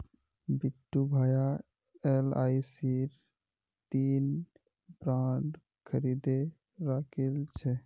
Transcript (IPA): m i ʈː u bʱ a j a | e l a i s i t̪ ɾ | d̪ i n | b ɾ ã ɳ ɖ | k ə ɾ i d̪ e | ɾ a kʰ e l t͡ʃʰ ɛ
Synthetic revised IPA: b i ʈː u bʱ a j a | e l a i s i ɾ | t̪ i n | b ɾ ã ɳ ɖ | kʰ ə ɾ i d̪ e | ɾ a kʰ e l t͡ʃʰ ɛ